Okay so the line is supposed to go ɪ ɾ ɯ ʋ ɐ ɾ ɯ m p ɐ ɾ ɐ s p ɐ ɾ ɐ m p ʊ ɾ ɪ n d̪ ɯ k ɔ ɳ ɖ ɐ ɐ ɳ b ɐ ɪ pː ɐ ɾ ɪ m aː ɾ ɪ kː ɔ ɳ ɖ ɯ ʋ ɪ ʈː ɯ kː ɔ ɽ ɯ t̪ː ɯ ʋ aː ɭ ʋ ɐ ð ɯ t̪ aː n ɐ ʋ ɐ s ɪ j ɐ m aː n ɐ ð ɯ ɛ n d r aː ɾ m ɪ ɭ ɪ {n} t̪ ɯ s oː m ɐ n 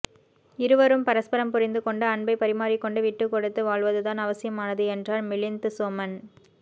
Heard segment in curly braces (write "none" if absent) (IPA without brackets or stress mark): n